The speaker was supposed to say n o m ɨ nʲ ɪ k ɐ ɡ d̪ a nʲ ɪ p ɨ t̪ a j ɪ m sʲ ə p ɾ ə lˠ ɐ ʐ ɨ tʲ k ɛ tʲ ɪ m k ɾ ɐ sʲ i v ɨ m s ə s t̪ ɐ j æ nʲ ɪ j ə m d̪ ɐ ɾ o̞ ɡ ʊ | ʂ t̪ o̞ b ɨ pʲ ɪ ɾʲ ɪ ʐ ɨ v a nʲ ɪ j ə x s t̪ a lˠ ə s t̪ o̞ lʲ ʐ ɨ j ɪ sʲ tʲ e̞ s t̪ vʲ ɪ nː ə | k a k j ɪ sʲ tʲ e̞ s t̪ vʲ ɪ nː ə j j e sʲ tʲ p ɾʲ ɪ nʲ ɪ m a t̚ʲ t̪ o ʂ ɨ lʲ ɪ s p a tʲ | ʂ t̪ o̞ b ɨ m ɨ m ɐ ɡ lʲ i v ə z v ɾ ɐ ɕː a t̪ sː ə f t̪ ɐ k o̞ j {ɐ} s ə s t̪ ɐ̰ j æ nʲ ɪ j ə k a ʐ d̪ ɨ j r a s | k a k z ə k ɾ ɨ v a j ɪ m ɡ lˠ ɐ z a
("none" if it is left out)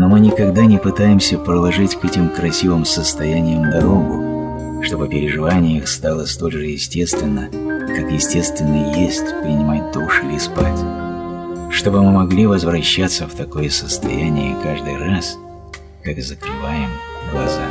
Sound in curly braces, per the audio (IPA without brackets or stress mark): ə